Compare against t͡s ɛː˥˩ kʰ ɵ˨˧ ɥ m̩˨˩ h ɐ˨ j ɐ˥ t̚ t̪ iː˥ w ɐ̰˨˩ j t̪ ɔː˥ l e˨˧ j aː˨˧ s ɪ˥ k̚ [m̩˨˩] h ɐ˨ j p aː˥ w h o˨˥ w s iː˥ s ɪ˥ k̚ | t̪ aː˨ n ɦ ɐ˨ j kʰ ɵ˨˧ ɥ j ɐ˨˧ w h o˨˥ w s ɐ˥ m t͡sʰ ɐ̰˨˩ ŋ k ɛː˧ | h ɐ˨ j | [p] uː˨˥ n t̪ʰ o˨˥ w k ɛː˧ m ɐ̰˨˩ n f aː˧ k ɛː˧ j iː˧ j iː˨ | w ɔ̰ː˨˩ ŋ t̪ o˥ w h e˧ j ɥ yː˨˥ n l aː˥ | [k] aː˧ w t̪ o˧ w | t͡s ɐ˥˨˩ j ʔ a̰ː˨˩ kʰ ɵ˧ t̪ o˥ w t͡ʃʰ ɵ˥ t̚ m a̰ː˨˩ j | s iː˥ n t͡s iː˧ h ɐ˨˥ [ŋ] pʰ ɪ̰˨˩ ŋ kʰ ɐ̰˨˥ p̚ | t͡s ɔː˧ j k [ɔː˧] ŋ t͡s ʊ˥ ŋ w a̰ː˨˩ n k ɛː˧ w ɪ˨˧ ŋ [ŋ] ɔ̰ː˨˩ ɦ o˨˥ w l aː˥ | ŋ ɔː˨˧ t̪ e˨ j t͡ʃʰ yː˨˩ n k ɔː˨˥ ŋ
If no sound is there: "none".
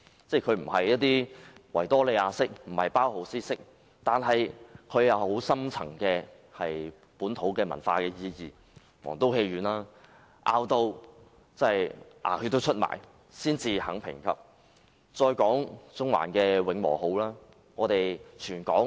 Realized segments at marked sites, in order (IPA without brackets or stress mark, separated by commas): m̩˨˩, p, ʔ, ŋ, ɔː˨˥, m